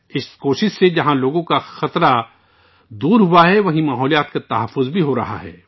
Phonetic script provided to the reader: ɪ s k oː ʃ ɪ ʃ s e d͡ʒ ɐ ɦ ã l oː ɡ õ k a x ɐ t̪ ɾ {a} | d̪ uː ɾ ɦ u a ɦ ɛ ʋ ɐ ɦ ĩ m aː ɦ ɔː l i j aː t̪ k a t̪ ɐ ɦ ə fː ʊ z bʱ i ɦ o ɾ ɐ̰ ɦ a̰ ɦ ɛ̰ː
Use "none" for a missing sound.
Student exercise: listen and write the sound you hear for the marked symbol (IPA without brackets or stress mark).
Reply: a